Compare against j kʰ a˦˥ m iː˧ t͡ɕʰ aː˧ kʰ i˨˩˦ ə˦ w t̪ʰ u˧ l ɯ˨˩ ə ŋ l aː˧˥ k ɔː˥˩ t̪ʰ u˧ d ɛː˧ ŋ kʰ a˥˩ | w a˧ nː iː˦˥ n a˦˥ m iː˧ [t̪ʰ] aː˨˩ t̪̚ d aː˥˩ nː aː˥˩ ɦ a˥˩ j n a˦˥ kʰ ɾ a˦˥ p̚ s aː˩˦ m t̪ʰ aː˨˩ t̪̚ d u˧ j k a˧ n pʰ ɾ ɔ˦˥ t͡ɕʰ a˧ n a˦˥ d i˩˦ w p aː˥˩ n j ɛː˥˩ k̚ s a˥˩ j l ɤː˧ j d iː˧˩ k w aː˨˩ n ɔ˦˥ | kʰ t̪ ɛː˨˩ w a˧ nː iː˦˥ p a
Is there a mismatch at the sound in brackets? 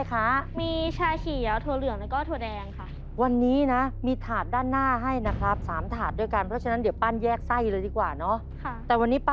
no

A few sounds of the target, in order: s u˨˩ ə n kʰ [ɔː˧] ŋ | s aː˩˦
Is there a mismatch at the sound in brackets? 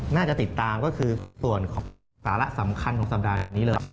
yes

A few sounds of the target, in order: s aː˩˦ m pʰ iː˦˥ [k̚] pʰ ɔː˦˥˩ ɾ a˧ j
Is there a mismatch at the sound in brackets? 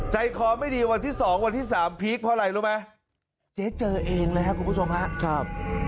no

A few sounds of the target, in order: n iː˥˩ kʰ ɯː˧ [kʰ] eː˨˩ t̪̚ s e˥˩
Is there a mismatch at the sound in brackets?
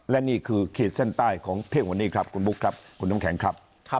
no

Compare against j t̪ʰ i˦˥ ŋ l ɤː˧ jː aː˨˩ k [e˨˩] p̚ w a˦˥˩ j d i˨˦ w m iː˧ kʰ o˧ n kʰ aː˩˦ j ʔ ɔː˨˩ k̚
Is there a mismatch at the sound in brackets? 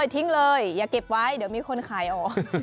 no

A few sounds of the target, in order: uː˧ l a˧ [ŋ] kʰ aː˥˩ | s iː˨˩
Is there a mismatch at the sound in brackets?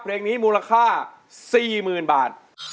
yes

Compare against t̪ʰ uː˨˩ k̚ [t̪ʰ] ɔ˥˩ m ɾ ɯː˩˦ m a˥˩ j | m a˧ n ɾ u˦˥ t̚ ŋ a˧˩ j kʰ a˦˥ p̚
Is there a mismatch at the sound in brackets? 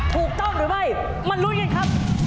yes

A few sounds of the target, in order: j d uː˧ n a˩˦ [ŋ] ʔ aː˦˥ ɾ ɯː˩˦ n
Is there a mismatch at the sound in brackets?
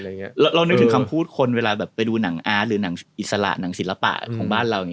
no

